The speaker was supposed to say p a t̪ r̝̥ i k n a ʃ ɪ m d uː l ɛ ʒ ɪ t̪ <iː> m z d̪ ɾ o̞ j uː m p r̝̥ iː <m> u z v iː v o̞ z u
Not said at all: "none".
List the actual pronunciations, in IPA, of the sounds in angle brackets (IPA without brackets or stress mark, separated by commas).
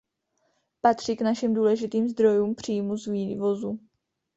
iː, m